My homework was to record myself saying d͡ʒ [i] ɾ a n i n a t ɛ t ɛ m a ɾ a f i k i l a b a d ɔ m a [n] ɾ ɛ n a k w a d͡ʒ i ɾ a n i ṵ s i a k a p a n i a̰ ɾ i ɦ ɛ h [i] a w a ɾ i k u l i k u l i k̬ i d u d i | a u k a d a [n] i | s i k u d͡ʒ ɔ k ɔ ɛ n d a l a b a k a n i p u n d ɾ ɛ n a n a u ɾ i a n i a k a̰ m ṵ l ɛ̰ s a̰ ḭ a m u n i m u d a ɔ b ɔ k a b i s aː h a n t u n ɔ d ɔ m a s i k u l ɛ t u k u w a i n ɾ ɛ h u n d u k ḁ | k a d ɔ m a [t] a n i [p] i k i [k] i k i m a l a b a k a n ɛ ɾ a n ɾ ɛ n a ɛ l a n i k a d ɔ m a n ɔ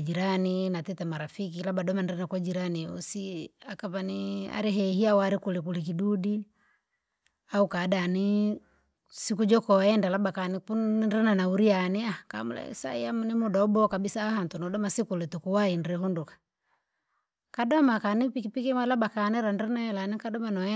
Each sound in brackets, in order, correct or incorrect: correct, correct, correct, correct, incorrect: k, correct, incorrect: p

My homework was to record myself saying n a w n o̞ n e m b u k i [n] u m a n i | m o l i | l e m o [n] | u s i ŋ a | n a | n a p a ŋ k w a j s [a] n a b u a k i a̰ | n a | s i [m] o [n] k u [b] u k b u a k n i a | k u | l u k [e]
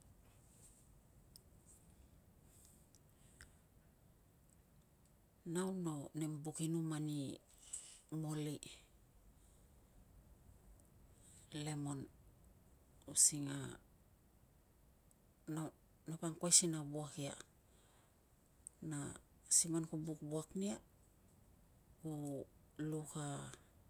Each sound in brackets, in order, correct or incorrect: correct, correct, incorrect: i, correct, correct, correct, incorrect: a

